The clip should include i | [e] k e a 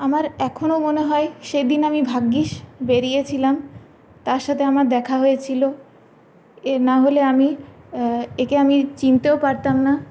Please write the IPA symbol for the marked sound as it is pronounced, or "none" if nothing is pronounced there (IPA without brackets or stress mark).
e